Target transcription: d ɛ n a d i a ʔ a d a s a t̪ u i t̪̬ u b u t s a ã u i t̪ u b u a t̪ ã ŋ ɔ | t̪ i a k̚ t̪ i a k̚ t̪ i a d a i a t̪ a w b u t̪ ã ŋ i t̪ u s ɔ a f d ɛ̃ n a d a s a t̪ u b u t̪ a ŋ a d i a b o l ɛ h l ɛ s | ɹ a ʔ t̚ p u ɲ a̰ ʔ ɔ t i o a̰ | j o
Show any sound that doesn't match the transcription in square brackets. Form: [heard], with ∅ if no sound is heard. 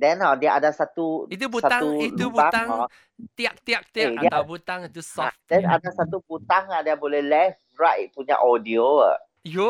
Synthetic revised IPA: d ɛ n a d i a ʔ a d a s a t̪ u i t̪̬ u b u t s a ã u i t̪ u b u a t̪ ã ŋ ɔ | t̪ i a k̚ t̪ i a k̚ t̪ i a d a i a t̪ a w b u t̪ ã ŋ i t̪ u s ɔ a f d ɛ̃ n a d a s a t̪ u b u t̪ a ŋ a d i a b o l ɛ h l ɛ [f] | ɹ a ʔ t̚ p u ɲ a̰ ʔ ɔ [d] i o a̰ | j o